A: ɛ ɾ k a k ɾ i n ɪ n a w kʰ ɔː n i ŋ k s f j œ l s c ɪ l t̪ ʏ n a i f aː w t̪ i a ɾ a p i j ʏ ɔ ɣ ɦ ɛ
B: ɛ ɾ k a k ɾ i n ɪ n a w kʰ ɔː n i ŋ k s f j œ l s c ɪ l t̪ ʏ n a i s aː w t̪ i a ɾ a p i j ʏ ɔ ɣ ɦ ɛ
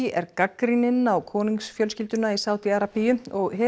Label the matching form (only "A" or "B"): B